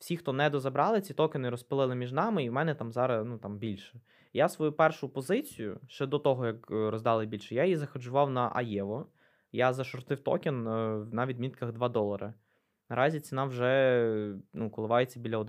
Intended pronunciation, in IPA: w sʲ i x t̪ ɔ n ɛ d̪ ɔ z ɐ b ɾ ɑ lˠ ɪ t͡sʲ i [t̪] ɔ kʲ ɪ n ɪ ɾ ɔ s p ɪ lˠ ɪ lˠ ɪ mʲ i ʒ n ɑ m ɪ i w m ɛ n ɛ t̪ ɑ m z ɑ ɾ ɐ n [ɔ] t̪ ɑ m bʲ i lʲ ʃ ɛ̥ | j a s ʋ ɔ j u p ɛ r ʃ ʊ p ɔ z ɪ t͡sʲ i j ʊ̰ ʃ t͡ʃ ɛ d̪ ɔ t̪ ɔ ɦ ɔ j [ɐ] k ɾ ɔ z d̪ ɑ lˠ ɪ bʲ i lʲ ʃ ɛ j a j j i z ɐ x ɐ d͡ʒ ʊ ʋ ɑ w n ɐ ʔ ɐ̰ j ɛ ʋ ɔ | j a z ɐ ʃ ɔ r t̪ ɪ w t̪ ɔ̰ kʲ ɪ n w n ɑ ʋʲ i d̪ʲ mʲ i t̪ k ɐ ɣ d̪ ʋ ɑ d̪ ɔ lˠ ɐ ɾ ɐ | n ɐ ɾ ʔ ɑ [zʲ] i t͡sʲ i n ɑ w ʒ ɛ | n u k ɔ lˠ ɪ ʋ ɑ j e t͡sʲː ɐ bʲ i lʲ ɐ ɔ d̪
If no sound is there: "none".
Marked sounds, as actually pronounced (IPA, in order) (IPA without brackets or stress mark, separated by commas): t̪, u, ɐ, zʲ